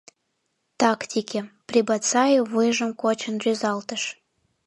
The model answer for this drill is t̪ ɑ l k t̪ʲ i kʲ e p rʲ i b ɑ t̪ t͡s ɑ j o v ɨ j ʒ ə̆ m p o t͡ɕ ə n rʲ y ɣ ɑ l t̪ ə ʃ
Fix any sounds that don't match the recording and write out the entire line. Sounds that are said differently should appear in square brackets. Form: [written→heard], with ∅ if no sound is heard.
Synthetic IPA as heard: t̪ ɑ [l→∅] k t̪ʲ i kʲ e p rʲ i b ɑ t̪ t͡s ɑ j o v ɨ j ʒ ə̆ m [p→k] o t͡ɕ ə n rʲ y [ɣ→z] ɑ l t̪ ə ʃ